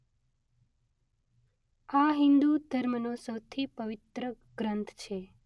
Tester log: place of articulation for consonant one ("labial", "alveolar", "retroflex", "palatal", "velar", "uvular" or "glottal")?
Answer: glottal